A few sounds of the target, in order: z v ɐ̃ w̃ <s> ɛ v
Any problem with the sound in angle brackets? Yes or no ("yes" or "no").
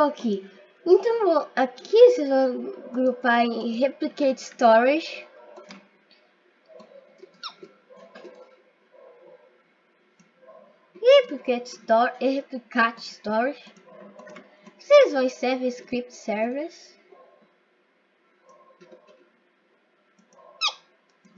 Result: no